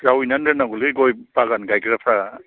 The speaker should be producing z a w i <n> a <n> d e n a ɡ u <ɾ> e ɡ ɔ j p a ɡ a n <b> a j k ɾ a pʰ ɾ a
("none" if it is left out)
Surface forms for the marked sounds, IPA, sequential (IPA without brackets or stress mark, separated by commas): n, n, l, ɡ